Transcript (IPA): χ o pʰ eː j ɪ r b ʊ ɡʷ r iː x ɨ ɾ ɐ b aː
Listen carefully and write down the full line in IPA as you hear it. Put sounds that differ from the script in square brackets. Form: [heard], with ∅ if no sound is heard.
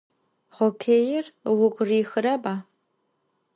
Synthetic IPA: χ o [kʰ] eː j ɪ r [w] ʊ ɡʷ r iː x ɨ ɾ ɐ b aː